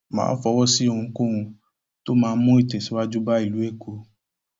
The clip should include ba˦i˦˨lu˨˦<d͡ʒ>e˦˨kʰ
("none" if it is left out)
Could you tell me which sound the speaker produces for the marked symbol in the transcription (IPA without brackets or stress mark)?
none